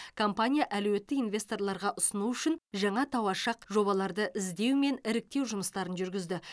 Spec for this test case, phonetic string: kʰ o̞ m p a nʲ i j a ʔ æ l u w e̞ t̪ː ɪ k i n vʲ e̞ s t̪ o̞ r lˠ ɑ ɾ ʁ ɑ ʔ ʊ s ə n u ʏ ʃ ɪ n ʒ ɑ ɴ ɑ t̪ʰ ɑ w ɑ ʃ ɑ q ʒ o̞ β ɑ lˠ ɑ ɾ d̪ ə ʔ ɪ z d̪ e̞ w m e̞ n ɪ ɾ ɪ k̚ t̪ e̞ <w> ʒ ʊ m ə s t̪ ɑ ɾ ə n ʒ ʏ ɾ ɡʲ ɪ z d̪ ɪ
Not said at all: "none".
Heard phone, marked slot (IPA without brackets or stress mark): w